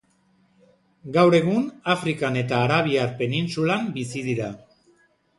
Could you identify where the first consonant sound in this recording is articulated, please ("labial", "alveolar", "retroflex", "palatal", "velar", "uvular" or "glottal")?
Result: velar